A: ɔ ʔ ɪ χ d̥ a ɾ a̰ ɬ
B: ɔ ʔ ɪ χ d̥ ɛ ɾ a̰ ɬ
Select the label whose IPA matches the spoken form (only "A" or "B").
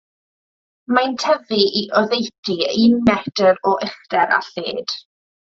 B